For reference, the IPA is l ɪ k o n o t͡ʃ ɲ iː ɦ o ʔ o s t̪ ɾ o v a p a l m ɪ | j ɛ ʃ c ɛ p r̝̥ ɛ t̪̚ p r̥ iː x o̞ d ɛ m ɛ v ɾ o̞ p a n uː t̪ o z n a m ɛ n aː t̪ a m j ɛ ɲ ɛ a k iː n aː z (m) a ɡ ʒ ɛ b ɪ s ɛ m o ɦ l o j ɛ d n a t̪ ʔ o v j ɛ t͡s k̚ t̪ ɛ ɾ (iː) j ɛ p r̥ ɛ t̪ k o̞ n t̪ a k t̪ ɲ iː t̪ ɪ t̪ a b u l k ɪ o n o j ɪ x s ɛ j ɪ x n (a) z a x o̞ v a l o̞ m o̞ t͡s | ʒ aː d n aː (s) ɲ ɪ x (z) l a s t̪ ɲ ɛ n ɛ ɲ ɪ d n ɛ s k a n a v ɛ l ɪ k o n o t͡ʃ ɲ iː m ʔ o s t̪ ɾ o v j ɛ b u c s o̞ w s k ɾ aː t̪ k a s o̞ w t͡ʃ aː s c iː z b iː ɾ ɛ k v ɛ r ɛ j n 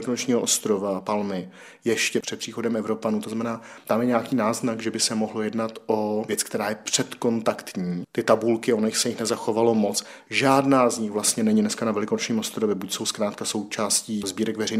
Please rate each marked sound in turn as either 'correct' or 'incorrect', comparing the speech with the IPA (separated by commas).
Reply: incorrect, incorrect, incorrect, incorrect, incorrect